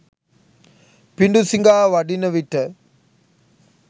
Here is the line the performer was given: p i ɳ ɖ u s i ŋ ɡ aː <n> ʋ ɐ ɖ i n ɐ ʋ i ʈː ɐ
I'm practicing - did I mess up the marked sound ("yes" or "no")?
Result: yes